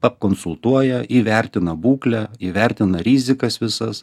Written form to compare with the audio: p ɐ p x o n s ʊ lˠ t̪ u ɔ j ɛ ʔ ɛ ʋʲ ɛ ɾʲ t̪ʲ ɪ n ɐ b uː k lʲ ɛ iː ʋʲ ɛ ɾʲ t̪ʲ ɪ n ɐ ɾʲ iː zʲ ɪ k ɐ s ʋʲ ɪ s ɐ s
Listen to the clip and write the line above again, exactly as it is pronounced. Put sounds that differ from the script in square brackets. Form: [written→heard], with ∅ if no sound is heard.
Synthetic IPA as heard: p ɐ p [x→k] o n s ʊ lˠ t̪ u ɔ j ɛ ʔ [ɛ→i] ʋʲ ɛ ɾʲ t̪ʲ ɪ n ɐ b uː k lʲ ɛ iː ʋʲ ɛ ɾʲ t̪ʲ ɪ n ɐ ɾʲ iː zʲ ɪ k ɐ s ʋʲ ɪ s ɐ s